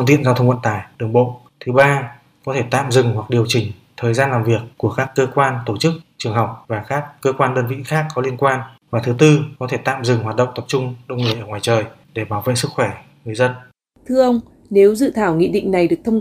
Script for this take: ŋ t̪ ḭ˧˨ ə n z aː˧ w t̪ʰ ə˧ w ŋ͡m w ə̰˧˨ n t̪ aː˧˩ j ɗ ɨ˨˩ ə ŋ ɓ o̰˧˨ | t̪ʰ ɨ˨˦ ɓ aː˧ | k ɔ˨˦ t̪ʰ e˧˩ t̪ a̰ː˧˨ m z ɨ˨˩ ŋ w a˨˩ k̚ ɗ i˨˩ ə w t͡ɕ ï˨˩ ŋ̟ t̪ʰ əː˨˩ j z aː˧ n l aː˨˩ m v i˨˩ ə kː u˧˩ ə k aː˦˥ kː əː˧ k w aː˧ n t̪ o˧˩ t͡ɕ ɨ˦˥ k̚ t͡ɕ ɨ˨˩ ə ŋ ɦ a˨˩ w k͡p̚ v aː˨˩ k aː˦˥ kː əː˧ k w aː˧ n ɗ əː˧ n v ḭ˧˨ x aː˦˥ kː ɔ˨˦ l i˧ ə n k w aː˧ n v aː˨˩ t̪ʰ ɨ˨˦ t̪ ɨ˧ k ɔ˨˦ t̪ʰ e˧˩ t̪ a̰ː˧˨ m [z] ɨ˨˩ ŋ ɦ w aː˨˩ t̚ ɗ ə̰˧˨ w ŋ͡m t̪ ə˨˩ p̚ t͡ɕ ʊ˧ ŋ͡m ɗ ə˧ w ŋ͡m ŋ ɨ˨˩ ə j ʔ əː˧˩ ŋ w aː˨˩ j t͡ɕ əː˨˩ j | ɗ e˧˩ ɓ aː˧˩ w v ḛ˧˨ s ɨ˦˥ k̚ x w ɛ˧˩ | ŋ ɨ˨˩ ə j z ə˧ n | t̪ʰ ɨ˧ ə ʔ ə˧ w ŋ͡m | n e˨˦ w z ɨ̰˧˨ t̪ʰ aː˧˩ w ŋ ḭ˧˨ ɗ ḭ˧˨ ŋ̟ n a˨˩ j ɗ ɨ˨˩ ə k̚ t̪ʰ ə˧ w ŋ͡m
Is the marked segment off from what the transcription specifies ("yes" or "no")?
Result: no